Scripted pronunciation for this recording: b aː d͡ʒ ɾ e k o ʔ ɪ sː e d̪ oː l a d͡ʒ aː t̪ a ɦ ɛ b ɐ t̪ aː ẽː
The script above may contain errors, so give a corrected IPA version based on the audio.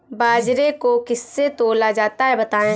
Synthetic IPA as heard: b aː d͡ʒ ɾ e k o k ɪ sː e t̪ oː l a d͡ʒ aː t̪ a ɦ ɛ b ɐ t̪ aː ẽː